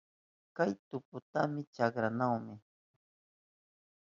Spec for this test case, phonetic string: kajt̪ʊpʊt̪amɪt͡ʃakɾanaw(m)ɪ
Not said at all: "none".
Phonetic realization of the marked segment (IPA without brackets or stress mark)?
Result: m